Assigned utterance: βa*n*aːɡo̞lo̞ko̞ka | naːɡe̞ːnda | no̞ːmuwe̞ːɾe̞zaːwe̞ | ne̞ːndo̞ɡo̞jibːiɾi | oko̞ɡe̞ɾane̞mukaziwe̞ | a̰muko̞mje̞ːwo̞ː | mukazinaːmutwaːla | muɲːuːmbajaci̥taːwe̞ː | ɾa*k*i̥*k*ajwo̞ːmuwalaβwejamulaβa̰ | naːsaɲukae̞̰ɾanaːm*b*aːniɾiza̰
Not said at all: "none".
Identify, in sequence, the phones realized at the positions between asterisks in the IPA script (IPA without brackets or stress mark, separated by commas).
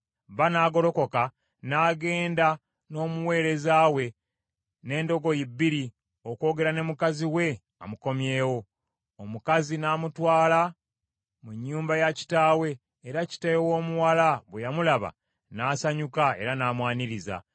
n, c, t, w